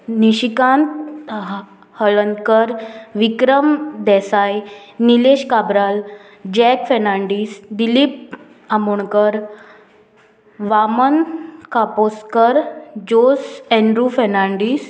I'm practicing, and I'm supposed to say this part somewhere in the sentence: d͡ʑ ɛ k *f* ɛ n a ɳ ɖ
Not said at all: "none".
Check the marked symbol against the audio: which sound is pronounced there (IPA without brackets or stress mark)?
f